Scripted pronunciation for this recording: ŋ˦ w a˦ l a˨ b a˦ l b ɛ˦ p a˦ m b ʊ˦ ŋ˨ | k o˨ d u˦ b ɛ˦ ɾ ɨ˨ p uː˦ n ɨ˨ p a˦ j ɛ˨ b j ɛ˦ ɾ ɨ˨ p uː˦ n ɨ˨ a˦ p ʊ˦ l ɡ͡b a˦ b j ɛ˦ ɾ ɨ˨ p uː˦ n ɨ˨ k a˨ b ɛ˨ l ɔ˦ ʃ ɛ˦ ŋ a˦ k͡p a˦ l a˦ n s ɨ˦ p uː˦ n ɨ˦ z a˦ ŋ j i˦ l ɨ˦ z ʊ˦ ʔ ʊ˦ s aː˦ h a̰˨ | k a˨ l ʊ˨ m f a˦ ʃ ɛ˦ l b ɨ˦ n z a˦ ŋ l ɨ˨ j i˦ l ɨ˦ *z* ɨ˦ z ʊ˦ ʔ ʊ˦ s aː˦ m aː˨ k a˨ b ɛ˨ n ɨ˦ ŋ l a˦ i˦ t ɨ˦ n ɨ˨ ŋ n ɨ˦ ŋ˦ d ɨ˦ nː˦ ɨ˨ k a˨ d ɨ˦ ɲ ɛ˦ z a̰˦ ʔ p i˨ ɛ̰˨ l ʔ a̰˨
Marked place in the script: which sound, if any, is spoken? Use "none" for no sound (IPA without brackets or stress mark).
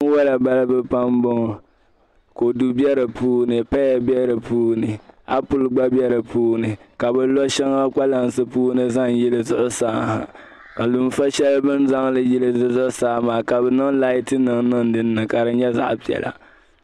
z